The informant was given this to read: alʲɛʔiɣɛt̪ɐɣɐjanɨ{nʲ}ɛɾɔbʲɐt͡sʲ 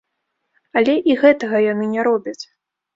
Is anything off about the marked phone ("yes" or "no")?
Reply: no